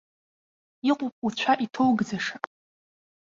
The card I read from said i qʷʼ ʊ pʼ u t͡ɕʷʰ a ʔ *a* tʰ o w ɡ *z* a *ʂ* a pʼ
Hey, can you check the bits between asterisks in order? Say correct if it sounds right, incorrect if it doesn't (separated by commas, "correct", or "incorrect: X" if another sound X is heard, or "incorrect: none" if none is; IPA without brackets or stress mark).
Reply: incorrect: i, incorrect: d͡z, correct